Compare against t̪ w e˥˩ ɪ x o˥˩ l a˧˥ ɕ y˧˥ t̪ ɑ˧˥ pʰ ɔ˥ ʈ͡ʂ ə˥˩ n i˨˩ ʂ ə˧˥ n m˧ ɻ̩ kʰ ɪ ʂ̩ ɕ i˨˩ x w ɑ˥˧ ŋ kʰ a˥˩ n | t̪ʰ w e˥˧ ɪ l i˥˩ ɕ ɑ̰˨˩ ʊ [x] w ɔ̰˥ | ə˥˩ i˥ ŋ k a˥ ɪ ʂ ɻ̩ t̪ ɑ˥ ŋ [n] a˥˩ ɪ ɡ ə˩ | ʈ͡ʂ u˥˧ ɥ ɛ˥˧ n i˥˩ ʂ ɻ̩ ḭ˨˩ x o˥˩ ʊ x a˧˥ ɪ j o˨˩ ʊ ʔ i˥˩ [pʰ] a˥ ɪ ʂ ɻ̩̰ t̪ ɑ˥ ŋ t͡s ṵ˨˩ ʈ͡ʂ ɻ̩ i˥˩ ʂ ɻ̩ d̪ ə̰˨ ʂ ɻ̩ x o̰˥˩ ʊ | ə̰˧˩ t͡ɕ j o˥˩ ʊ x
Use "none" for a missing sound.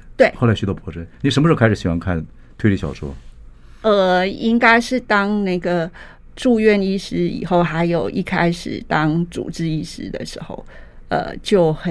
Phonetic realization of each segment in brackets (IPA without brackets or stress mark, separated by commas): ʂ, n, kʰ